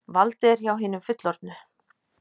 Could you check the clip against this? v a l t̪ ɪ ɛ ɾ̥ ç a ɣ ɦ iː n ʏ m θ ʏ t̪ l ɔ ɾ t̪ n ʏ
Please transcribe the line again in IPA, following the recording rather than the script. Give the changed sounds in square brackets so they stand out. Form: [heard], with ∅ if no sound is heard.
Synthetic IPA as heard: v a l t̪ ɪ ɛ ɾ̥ ç a [w] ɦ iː n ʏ m [f] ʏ t̪ l ɔ ɾ t̪ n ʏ